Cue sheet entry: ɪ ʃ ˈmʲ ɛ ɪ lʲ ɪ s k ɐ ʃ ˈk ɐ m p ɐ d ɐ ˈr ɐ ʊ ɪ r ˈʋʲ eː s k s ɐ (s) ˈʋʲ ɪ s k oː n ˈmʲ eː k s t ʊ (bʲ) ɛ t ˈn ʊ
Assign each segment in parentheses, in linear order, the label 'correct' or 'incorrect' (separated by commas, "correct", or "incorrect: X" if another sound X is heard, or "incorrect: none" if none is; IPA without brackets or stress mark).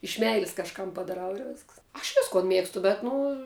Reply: incorrect: ʃ, correct